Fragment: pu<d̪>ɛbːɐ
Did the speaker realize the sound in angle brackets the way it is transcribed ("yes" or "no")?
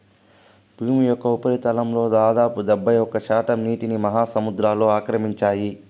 yes